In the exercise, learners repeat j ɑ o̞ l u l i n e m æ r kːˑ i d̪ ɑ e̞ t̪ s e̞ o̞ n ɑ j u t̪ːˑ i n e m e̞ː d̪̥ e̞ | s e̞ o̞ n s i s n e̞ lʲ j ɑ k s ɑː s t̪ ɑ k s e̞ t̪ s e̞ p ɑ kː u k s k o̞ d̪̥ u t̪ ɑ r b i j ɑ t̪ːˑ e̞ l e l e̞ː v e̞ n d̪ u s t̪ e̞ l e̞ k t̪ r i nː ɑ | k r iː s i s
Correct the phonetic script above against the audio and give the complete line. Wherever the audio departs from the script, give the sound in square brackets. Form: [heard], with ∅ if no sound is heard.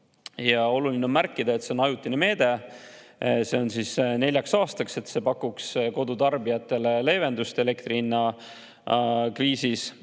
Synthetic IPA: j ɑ o̞ l u l i n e m æ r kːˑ i d̪ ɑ e̞ t̪ s e̞ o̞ n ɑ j u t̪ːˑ i n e m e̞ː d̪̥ e̞ | s e̞ o̞ n s i s n e̞ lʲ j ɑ k s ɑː s t̪ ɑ k s e̞ t̪ s e̞ p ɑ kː u k s k o̞ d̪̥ u t̪ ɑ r b i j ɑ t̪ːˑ e̞ l e l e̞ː v e̞ n d̪ u s t̪ e̞ l e̞ k t̪ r i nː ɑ | k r iː s i s